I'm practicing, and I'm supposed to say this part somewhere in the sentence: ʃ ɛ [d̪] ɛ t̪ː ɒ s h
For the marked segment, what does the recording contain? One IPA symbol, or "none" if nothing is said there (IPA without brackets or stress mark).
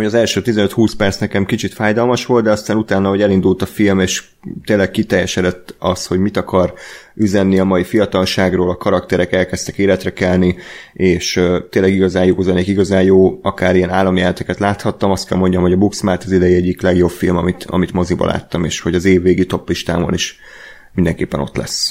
d̪